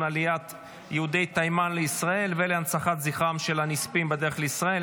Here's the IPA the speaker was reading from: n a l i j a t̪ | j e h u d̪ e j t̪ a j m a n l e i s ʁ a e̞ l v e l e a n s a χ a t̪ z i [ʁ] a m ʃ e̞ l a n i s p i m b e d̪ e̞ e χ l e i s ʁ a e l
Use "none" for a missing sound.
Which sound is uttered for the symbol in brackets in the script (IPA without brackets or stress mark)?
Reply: χ